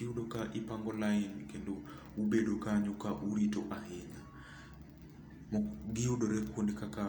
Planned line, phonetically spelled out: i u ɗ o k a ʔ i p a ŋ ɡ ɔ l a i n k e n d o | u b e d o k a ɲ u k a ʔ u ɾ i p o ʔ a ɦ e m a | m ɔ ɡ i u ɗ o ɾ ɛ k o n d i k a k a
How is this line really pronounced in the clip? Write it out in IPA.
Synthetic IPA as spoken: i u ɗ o k a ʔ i p a ŋ ɡ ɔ l a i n k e n d o | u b e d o k a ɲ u k a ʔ u ɾ i t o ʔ a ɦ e ɲ a | m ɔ ɡ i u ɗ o ɾ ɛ k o n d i k a k a